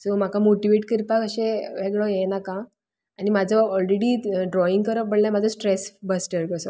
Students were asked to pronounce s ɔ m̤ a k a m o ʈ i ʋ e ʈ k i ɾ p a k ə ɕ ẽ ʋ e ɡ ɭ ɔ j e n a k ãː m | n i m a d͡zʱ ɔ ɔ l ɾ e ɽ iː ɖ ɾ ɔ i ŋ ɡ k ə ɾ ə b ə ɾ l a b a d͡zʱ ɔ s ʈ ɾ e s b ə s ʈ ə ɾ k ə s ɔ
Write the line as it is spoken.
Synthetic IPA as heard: s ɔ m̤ a k a m o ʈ i ʋ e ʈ k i ɾ p a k ə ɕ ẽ ʋ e ɡ ɭ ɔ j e n a k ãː | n i m a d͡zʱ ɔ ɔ l ɾ e ɽ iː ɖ ɾ ɔ i ŋ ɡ k ə ɾ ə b ə ɽ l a m a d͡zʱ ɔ s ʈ ɾ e s b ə s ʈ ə ɾ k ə s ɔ